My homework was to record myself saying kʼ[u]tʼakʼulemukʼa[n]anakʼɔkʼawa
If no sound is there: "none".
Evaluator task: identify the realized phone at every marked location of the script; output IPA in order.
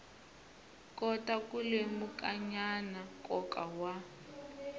ɔ, ɲ

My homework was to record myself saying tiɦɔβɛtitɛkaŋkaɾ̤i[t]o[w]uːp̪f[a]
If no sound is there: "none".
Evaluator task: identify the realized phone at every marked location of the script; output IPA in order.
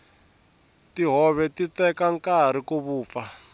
k, β, a

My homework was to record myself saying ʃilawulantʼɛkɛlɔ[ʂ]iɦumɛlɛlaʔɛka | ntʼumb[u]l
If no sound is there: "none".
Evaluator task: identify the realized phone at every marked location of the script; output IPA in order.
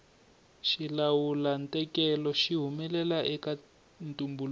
ʃ, u

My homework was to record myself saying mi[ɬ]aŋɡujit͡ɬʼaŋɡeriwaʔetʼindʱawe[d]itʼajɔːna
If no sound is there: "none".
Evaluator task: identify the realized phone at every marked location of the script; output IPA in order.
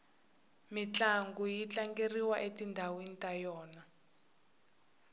t͡ɬ, n

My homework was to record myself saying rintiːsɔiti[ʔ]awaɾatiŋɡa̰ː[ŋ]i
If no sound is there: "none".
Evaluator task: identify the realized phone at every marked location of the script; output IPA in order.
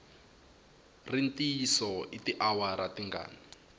ʔ, n

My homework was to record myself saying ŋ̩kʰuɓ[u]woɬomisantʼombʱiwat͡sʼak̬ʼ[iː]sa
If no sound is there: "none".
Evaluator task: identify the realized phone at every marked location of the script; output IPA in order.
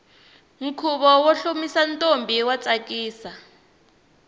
ɔ, iː

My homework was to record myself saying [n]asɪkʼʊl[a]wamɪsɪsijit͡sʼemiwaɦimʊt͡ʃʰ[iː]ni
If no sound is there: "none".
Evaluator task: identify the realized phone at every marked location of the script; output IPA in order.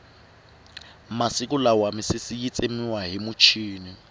m, a, iː

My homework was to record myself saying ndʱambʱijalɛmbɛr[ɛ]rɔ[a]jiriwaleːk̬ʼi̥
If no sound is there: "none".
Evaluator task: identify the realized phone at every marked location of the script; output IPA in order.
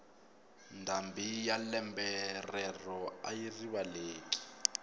ɛ, a

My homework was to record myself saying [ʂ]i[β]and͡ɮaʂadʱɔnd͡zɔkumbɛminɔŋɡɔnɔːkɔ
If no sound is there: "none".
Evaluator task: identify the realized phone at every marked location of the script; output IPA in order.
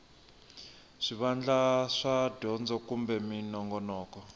ʂ, β

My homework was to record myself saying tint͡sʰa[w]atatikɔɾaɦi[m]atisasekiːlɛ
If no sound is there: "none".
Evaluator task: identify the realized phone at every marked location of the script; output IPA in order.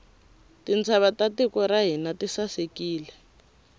β, n

